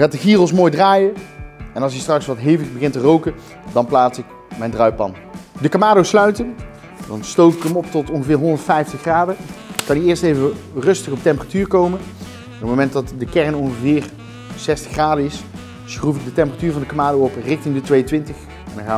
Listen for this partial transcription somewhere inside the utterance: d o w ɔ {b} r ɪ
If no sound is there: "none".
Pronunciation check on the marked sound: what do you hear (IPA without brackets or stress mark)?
p